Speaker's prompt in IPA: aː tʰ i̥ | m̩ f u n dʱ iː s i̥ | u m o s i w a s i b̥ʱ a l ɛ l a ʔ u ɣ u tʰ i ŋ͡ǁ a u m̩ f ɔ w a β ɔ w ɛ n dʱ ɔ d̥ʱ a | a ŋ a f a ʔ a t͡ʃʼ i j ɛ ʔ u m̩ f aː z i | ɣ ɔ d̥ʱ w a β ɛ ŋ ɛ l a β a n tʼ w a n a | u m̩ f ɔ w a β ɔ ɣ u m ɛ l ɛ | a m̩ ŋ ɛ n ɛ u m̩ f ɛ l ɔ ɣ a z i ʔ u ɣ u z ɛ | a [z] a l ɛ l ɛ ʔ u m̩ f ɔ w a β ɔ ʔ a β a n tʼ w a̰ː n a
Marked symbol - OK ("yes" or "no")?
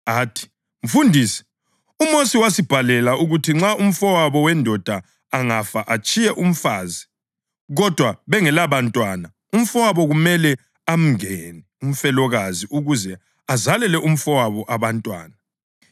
yes